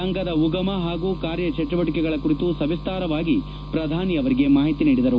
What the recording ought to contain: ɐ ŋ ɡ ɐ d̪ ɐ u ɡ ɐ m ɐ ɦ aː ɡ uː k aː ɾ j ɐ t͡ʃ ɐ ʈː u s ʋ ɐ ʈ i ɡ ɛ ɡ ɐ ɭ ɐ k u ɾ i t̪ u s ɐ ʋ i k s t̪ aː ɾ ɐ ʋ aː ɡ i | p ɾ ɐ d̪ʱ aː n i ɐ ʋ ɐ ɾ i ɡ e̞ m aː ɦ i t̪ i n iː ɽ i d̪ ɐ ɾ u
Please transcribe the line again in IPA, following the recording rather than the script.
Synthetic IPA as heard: ɐ ŋ ɡ ɐ d̪ ɐ u ɡ ɐ m ɐ ɦ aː ɡ uː k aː ɾ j ɐ t͡ʃ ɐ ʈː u ʋ ɐ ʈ i k ɛ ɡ ɐ ɭ ɐ k u ɾ i t̪ u s ɐ ʋ i s t̪ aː ɾ ɐ ʋ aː ɡ i | p ɾ ɐ d̪ʱ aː n i ɐ ʋ ɐ ɾ i ɡ e̞ m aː ɦ i t̪ i n iː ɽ i d̪ ɐ ɾ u

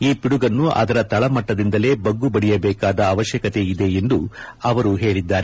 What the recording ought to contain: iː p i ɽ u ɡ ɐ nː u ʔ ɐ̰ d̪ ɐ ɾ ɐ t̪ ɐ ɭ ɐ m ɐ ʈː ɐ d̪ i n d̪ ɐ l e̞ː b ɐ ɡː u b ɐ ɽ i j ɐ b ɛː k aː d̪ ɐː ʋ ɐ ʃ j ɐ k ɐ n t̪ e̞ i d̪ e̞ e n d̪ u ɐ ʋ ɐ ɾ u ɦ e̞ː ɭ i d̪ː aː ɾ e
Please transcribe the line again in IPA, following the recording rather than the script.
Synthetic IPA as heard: iː p i ɽ u ɡ ɐ nː u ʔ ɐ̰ d̪ ɐ ɾ ɐ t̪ ɐ ɭ ɐ m ɐ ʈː ɐ d̪ i n d̪ ɐ l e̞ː b ɐ ɡː u b ɐ ɽ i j ɐ b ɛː k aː d̪ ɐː ʋ ɐ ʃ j ɐ k ɐ t̪ e̞ i d̪ e̞ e n d̪ u ɐ ʋ ɐ ɾ u ɦ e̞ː ɭ i d̪ː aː ɾ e

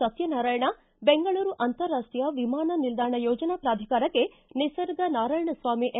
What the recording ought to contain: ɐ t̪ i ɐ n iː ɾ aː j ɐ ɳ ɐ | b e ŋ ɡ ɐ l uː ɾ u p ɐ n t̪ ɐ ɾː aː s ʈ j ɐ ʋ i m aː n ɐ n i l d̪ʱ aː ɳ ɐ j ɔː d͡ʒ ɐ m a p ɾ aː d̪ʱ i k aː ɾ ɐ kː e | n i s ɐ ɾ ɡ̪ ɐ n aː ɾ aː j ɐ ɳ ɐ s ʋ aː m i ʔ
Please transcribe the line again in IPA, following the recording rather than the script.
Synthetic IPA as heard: ɐ t̪ j ɐ n aː ɾ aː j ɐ ɳ ɐ | b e ŋ ɡ ɐ ɭ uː ɾ u ʔ ɐ n t̪ ɐ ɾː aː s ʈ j ɐ ʋ i m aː n ɐ n i l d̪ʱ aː ɳ ɐ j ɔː d͡ʒ ɐ n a p ɾ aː d̪ʱ i k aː ɾ ɐ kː e | n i s ɐ ɾ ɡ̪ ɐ n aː ɾ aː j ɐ ɳ ɐ s ʋ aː m i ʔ

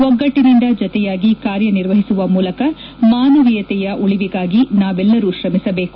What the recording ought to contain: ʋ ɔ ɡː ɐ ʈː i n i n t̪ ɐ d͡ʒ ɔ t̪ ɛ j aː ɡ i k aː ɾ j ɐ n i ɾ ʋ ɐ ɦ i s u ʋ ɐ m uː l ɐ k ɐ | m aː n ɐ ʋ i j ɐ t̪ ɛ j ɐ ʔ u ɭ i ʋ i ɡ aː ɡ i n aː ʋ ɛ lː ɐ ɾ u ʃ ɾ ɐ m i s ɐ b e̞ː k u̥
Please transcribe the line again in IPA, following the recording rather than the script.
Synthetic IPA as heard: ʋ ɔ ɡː ɐ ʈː i n i n d̪ ɐ d͡ʒ ɔ t̪ ɛ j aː ɡ i k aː ɾ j ɐ n i ɾ ʋ ɐ ɦ i s u ʋ ɐ m uː l ɐ k ɐ | m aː n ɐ ʋ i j ɐ t̪ ɛ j ɐ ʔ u ɭ i ʋ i ɡ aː ɡ i n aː ʋ ɛ lː ɐ ɾ u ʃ ɾ ɐ m i s ɐ b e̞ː k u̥

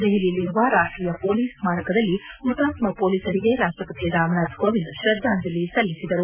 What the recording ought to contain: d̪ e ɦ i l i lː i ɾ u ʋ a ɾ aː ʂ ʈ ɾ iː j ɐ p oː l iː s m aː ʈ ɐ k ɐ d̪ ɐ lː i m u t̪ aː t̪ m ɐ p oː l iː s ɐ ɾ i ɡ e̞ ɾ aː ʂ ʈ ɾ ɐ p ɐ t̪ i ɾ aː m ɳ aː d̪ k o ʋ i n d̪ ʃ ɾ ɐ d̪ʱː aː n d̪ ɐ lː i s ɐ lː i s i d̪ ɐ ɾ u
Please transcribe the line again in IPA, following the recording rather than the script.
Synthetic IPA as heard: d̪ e ɦ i l i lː i ɾ u ʋ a ɾ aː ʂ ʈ ɾ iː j ɐ p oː l iː s m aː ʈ ɐ k ɐ d̪ ɐ lː i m u t̪ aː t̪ m ɐ p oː l iː s ɐ ɾ i ɡ e̞ ɾ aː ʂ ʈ ɾ ɐ p ɐ t̪ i ɾ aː m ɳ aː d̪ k o ʋ i n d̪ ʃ ɾ ɐ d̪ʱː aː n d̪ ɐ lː i s ɐ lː i s i d̪ ɐ ɾ u

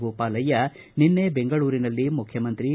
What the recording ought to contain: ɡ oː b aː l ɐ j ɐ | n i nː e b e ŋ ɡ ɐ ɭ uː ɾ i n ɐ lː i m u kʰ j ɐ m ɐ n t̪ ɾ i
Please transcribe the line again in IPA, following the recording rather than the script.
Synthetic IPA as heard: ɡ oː p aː l ɐ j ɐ | n i nː e b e ŋ ɡ ɐ ɭ uː ɾ i n ɐ lː i m u kʰ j ɐ m ɐ n t̪ ɾ i

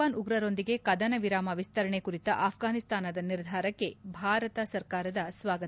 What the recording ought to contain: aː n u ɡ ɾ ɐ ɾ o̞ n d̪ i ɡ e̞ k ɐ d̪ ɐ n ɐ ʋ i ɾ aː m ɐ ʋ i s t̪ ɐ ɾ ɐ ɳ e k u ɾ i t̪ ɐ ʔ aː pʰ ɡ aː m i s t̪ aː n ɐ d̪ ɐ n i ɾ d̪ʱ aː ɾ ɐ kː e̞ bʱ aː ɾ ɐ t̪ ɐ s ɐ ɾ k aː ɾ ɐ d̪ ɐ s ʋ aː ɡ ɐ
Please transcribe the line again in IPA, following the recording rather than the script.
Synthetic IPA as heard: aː n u ɡ ɾ ɐ ɾ o̞ n d̪ i ɡ e̞ k ɐ d̪ ɐ n ɐ ʋ i ɾ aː m ɐ ʋ i s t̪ ɐ ɾ ɐ ɳ e k u ɾ i t̪ ɐ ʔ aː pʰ ɡ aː n i s t̪ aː n ɐ d̪ ɐ n i ɾ d̪ʱ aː ɾ ɐ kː e̞ bʱ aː ɾ ɐ t̪ ɐ s ɐ ɾ k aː ɾ ɐ d̪ ɐ s ʋ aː ɡ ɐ

